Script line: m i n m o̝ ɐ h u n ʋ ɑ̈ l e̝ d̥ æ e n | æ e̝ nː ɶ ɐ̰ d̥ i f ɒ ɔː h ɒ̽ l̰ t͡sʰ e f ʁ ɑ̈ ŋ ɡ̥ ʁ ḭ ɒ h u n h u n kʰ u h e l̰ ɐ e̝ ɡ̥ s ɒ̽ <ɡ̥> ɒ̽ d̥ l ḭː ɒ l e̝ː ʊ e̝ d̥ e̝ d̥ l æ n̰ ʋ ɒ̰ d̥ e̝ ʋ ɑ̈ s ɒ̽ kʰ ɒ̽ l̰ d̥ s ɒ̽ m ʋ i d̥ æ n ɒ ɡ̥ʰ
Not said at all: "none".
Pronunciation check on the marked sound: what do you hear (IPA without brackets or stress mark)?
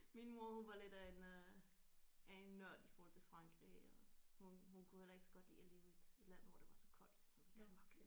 ɡ̥